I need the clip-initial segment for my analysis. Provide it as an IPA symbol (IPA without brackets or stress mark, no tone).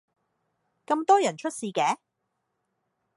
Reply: k